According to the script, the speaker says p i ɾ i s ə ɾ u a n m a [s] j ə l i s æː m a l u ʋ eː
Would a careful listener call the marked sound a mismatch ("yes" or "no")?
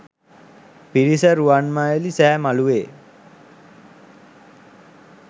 yes